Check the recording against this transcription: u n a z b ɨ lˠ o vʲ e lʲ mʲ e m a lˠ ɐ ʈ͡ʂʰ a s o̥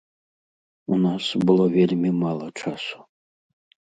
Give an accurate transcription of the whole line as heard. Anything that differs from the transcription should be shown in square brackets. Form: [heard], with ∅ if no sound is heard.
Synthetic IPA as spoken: u n a [s] b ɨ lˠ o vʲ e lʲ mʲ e m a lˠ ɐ ʈ͡ʂʰ a s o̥